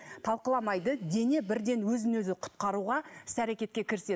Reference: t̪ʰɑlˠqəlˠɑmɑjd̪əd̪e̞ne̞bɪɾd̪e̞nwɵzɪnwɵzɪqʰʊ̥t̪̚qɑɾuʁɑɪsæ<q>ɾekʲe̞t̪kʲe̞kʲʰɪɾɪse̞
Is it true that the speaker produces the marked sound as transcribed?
no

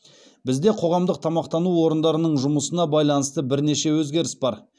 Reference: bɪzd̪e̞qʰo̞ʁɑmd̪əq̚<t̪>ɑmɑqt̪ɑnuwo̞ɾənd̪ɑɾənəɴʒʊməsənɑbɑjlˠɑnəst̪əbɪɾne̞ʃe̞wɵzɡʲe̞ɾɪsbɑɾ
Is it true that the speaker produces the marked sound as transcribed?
no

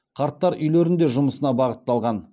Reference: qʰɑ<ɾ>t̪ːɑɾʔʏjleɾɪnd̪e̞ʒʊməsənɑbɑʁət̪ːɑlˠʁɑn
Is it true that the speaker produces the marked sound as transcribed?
yes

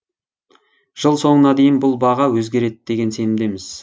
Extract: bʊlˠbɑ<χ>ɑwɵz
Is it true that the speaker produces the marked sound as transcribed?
no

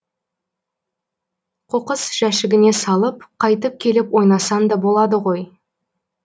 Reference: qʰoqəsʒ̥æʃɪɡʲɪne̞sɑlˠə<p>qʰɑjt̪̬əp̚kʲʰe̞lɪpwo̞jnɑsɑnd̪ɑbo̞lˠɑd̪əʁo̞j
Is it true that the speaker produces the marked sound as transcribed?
yes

